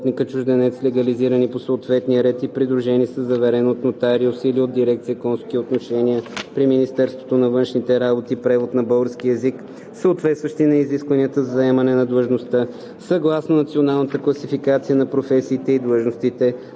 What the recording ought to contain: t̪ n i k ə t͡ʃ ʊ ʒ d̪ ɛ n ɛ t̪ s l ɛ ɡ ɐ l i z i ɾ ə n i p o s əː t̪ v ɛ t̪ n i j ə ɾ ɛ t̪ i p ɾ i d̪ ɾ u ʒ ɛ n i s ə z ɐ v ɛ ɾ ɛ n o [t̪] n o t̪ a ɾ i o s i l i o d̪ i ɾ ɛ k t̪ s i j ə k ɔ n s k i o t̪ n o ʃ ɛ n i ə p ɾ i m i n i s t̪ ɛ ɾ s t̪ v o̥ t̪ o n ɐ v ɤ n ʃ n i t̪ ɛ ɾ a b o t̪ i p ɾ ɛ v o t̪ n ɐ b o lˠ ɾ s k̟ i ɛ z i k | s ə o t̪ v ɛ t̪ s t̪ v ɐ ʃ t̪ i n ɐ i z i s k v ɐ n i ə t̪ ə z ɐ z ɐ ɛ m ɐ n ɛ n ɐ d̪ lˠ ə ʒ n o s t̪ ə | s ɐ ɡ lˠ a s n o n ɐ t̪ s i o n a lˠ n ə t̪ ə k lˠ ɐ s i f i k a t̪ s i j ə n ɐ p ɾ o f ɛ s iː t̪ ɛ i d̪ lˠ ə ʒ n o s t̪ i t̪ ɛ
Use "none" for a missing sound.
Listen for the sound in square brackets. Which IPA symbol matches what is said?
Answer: t̪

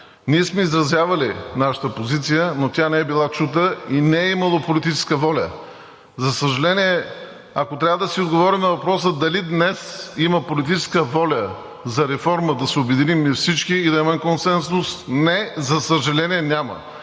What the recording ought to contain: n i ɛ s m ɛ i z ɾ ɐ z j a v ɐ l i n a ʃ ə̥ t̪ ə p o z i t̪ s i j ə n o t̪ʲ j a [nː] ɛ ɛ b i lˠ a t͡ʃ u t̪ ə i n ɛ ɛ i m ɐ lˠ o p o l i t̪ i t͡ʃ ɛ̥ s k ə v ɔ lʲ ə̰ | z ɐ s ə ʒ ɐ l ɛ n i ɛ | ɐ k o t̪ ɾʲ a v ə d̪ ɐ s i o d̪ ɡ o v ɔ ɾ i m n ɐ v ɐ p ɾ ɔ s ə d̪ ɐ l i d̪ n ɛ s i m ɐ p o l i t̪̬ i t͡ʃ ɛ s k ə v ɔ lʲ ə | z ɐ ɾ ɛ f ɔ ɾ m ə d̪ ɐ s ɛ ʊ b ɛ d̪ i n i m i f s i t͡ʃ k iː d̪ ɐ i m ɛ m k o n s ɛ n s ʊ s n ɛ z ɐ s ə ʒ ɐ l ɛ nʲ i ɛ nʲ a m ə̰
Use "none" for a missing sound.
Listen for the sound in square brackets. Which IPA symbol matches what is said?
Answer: n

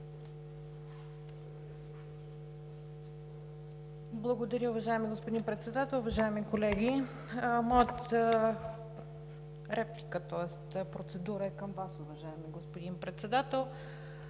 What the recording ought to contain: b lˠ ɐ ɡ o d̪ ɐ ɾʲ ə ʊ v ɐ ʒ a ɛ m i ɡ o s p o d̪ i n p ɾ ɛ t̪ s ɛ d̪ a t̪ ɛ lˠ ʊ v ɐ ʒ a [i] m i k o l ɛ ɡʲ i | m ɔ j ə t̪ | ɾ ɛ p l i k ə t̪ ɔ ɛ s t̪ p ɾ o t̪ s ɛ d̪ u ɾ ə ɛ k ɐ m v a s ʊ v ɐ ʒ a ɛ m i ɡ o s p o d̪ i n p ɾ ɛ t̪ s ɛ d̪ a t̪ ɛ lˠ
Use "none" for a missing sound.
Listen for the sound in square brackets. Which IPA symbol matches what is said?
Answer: ɛ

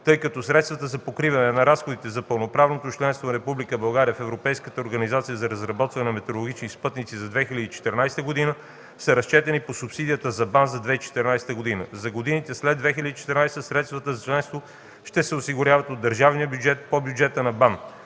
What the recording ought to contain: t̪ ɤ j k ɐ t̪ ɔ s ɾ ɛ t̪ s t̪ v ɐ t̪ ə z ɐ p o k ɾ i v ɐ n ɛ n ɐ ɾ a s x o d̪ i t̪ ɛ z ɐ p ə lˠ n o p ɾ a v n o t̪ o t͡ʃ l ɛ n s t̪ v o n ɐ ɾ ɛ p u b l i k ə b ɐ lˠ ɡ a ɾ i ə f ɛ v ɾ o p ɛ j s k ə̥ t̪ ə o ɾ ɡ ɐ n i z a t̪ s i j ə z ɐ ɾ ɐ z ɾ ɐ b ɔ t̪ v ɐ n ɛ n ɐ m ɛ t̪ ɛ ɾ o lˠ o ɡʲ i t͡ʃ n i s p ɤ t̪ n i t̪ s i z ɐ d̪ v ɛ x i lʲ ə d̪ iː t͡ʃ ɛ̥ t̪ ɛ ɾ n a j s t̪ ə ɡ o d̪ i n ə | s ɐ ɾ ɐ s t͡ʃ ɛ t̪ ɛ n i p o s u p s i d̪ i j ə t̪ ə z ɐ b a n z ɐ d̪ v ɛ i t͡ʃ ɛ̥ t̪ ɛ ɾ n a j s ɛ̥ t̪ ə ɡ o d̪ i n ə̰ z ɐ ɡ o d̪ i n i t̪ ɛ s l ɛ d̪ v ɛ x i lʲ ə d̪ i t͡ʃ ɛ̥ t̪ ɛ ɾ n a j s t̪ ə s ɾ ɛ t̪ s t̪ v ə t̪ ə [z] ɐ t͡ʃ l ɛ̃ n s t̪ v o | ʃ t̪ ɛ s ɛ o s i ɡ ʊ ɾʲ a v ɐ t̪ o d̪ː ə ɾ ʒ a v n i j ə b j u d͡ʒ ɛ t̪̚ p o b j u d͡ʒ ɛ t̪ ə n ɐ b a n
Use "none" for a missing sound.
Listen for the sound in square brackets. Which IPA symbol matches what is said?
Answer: z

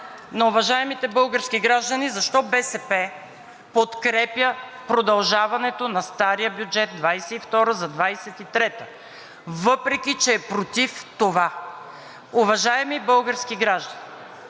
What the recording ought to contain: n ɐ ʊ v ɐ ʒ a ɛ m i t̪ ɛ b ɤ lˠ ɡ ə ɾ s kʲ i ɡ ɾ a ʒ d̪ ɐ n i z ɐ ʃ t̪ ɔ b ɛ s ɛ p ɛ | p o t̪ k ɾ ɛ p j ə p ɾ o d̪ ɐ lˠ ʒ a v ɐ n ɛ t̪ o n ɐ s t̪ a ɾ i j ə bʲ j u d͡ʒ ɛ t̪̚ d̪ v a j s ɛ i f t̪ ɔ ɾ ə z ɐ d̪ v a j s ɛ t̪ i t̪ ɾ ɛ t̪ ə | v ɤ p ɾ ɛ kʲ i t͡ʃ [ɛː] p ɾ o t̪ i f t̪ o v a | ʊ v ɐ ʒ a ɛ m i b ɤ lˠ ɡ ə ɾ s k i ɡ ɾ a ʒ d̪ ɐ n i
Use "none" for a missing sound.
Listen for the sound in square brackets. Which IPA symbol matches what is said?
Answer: ɛː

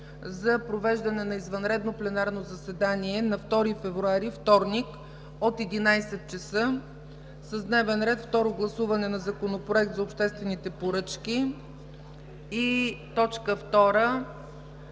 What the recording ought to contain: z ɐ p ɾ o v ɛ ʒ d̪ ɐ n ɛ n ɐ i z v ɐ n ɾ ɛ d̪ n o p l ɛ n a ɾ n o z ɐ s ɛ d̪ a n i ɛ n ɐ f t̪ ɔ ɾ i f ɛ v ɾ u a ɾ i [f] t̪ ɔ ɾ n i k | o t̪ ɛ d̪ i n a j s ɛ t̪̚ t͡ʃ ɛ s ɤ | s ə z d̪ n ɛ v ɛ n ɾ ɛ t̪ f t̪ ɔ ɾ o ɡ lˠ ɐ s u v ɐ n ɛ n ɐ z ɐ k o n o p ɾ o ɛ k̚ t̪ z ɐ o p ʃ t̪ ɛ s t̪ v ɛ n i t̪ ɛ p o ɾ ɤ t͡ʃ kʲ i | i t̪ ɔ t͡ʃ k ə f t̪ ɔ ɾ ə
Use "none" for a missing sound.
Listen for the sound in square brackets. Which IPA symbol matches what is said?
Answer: f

